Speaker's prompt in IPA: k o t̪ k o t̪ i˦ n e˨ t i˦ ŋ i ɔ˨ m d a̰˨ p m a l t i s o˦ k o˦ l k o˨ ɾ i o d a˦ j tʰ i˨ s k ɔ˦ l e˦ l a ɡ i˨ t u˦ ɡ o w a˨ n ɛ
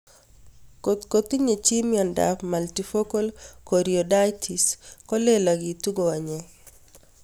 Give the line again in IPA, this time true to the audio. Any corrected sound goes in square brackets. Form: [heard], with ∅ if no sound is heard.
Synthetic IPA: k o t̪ k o t̪ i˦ [ɲ] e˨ [t͡ʃ] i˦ [m] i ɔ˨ [n] d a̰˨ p m a l t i [f] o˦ k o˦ l k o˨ ɾ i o d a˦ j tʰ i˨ s k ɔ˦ l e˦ l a ɡ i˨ t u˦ ɡ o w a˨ [ɲ] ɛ